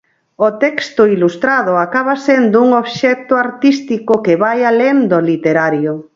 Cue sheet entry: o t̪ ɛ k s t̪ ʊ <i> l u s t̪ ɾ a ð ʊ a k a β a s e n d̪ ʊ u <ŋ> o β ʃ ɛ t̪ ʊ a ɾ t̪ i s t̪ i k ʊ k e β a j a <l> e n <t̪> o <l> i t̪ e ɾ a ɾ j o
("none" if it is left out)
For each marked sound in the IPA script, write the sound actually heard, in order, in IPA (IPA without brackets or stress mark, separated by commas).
i, ŋ, l, d̪, l